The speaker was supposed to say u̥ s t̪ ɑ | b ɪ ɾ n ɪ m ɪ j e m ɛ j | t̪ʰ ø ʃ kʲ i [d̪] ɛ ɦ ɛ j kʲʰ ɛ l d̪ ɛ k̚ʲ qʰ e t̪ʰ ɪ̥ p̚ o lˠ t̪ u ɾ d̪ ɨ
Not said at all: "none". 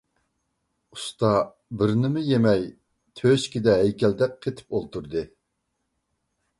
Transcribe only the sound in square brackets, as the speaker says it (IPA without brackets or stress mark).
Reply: d̪